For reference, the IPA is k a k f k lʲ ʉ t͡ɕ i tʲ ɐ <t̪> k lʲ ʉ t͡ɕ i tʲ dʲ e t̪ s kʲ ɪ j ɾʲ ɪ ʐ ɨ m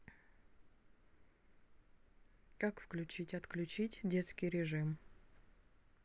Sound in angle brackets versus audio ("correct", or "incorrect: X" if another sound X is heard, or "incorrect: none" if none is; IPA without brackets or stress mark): correct